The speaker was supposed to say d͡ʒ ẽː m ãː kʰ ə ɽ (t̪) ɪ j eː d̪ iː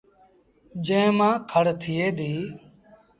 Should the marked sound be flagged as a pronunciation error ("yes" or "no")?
yes